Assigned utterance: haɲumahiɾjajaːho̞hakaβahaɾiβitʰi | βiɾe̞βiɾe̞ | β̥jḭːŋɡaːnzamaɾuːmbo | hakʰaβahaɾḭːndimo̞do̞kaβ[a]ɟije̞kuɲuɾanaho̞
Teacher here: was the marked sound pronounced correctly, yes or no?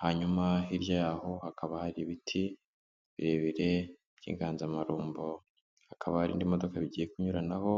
no